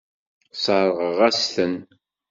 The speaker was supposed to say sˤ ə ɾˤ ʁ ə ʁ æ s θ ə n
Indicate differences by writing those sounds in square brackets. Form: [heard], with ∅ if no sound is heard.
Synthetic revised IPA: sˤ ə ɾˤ ʁ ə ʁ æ s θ ə n